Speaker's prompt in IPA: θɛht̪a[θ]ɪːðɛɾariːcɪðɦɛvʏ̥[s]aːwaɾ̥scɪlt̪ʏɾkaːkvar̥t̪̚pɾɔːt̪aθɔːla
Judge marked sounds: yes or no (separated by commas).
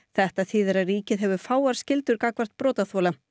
yes, no